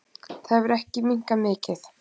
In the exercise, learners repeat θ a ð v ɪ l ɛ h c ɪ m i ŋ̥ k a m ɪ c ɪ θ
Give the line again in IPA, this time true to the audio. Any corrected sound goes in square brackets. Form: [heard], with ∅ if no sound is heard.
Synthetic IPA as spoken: θ a ð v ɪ [ɾ] ɛ h c ɪ m i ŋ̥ k a m [ɪː] c ɪ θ

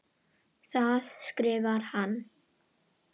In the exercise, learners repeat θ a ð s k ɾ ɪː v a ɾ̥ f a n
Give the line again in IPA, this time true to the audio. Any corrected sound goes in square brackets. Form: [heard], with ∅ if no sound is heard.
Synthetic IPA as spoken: θ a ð s k ɾ ɪː v a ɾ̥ [h] a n

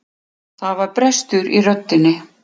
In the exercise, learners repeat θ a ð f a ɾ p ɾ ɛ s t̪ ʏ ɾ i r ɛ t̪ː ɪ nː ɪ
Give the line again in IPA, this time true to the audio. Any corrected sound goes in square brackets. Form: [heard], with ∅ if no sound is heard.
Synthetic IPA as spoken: θ a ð [v] a ɾ p ɾ ɛ s t̪ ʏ ɾ i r [œ] t̪ː ɪ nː ɪ

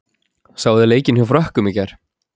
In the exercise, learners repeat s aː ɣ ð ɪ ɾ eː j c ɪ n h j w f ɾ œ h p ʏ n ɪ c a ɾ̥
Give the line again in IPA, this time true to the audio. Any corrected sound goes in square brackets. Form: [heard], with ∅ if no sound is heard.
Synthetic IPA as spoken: s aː [w] ð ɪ [l] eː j c ɪ n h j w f ɾ œ h [k] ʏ [m] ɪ c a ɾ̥

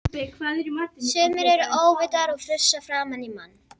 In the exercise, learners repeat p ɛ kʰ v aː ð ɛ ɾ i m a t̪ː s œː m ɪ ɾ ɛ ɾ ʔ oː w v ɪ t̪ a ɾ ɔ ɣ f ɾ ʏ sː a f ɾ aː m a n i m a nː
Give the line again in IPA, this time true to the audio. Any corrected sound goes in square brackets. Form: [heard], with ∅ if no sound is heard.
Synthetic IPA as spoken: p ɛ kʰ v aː ð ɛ ɾ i m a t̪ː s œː m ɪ ɾ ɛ ɾ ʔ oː w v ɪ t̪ a ɾ ɔ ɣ f ɾ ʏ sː a f ɾ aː m a n i m a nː

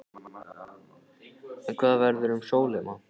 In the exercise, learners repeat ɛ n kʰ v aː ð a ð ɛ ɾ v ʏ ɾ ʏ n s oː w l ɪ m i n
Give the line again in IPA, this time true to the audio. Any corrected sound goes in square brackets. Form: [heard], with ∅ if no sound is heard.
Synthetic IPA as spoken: ɛ n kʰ v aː ð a [v] ɛ ɾ [ð] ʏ ɾ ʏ [m] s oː w l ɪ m [a] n

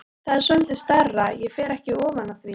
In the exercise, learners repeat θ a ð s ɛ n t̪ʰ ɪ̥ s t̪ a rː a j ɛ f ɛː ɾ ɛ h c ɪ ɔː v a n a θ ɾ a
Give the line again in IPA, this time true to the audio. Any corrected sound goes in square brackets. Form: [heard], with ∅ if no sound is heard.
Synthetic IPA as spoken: θ a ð s [œ] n [t̪] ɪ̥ s t̪ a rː a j ɛ f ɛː ɾ ɛ h c ɪ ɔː v a n a θ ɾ [i]

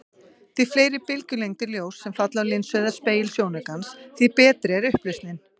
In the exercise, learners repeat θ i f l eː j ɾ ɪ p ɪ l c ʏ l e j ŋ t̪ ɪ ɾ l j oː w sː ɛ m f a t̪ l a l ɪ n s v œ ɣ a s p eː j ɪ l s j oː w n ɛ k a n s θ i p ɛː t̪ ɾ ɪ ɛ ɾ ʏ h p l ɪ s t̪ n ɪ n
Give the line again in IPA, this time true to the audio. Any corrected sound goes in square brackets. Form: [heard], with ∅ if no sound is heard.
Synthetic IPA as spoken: θ i f l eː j ɾ ɪ p ɪ l c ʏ l e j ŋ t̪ ɪ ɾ l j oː w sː ɛ m f a t̪ l a l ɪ n s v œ [ð] a s p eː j ɪ l s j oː w n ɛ k a n s θ i p ɛː t̪ ɾ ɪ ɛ ɾ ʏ h p l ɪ s t̪ n ɪ n

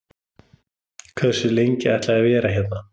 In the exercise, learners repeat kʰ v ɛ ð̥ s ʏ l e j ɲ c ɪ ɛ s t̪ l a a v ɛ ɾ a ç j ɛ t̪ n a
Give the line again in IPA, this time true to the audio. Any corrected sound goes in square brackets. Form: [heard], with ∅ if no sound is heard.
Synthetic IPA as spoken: kʰ v ɛ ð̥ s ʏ l e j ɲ c ɪ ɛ [h] t̪ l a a v [ɛː] ɾ a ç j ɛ t̪ n a

